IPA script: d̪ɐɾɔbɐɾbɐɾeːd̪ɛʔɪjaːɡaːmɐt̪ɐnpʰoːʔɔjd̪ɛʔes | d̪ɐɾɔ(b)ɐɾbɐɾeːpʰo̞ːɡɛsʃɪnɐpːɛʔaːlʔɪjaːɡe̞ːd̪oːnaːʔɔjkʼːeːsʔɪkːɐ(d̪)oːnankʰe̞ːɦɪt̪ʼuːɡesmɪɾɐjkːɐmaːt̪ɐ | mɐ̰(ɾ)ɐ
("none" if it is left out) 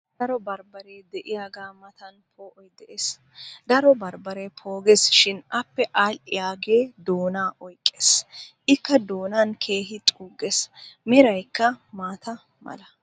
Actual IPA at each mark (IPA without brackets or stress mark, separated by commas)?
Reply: b, d̪, l